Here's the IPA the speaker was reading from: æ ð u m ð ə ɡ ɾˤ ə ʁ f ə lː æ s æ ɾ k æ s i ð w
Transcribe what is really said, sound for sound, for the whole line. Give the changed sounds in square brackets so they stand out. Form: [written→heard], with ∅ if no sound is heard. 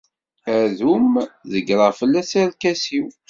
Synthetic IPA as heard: æ ð u m ð ə ɡ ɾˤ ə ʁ f ə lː æ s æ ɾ k æ s i [ð→∅] w